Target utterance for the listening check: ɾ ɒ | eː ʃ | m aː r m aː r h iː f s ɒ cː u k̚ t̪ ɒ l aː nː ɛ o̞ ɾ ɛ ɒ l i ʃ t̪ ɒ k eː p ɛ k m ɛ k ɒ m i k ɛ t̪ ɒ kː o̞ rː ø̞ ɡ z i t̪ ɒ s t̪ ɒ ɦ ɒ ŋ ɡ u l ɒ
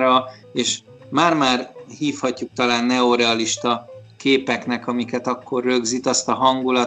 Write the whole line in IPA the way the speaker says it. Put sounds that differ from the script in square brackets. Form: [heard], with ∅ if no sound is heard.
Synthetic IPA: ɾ ɒ | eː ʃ | m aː r m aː r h iː f [h] ɒ cː u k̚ t̪ ɒ l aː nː ɛ o̞ ɾ ɛ ɒ l i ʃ t̪ ɒ k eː p ɛ k [n] ɛ k ɒ m i k ɛ t̪ ɒ kː o̞ rː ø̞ ɡ z i t̪ ɒ s t̪ ɒ ɦ ɒ ŋ ɡ u l ɒ